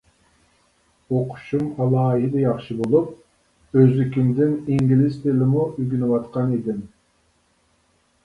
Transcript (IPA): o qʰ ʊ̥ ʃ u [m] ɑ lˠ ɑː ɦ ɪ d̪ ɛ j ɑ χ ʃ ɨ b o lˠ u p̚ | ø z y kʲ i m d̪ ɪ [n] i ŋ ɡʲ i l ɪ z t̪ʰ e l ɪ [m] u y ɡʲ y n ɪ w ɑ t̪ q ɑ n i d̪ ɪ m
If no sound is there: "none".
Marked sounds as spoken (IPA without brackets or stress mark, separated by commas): m, n, m